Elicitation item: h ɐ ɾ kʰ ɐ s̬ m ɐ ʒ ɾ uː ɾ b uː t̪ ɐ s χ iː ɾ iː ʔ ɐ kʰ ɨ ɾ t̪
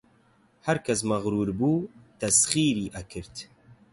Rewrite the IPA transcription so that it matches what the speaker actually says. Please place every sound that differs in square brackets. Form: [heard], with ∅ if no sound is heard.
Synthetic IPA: h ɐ ɾ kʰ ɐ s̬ m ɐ [ɣ] ɾ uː ɾ b uː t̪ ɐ s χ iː ɾ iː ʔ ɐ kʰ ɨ ɾ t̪

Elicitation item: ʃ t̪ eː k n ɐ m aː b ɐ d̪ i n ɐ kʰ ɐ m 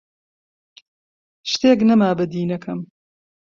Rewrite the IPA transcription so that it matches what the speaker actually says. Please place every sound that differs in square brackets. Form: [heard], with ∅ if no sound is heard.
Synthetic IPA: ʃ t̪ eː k n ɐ m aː b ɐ d̪ [iː] n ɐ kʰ ɐ m

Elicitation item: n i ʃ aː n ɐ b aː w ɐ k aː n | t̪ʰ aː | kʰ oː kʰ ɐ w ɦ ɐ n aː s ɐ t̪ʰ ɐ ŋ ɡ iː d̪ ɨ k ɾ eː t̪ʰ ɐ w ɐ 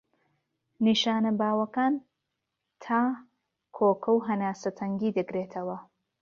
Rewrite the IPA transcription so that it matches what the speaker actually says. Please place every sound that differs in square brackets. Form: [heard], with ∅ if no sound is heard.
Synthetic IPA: n i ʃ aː n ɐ b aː w ɐ k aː n | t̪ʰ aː | kʰ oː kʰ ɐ w ɦ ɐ n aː s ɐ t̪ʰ ɐ ŋ ɡ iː d̪ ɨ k ɾ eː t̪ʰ ɐ w ɐ

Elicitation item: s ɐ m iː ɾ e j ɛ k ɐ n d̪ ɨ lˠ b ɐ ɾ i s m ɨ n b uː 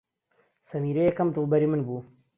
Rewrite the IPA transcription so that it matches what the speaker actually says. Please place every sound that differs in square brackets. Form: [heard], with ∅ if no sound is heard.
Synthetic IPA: s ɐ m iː ɾ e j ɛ k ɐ [m] d̪ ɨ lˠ b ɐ ɾ i [∅] m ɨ n b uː

